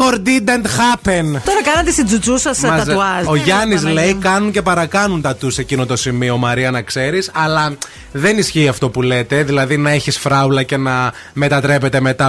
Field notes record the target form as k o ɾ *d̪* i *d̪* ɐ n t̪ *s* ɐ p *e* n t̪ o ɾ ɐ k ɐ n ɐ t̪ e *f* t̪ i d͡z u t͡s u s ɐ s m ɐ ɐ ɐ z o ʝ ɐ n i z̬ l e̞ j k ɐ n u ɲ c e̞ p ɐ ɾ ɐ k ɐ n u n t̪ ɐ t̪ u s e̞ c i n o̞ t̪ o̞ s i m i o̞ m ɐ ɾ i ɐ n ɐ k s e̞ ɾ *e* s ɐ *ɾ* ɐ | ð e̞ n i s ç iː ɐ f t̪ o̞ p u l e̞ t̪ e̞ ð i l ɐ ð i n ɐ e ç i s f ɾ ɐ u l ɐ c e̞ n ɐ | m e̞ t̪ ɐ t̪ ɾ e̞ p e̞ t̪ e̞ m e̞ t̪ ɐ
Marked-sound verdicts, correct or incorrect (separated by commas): correct, correct, incorrect, correct, incorrect, incorrect, incorrect